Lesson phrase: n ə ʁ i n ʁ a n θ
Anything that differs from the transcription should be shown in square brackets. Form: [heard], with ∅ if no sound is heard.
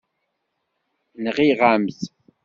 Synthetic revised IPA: n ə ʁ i [∅] ʁ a [m] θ